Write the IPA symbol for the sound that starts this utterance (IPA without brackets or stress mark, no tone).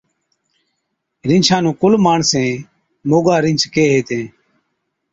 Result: ɾ